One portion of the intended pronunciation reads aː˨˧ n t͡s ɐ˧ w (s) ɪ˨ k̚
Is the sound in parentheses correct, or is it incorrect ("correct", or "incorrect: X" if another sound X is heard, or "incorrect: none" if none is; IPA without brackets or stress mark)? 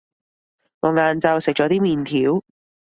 correct